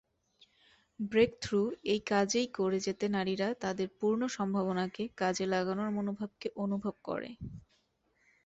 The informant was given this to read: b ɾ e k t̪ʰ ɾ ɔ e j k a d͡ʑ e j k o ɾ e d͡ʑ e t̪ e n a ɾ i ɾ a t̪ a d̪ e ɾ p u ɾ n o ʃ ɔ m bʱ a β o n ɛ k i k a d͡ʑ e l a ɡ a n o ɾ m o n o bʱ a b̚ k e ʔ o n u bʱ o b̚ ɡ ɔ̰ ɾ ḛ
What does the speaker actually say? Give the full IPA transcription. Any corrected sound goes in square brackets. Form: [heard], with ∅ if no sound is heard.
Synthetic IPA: b ɾ e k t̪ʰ ɾ [u] e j k a d͡ʑ e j k o ɾ e d͡ʑ e t̪ e n a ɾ i ɾ a t̪ a d̪ e ɾ p u ɾ n o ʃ ɔ m bʱ a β o n [a] k [e] k a d͡ʑ e l a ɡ a n o ɾ m o n o bʱ a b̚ k e ʔ o n u bʱ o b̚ [k] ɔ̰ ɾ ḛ